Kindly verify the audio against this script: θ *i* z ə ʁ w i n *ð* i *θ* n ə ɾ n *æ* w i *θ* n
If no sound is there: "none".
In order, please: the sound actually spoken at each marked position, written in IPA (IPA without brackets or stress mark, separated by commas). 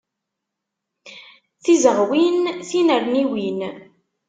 i, θ, none, i, none